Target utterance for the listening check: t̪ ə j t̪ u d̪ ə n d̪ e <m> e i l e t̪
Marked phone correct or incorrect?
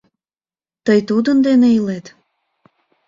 incorrect